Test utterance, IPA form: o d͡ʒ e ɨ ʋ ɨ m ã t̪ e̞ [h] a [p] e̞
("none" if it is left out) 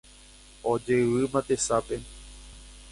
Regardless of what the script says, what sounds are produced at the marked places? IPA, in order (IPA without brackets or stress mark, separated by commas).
s, p